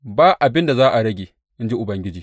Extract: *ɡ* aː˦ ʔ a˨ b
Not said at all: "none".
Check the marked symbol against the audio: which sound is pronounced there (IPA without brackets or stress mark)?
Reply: b